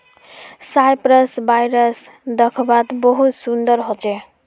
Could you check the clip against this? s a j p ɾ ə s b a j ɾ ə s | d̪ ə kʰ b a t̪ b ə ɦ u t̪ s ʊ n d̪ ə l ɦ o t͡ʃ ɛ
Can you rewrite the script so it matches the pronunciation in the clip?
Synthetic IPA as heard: s a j p ɾ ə s b a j ɾ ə s | d̪ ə kʰ b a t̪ b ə ɦ u t̪ s u n d̪ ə ɾ ɦ o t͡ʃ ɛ